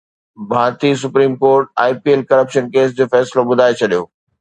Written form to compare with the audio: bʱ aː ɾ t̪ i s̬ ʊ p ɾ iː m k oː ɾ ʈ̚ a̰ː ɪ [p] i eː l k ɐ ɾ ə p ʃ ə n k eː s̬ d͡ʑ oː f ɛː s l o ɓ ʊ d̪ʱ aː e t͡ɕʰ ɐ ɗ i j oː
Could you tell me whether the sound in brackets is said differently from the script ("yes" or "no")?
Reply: no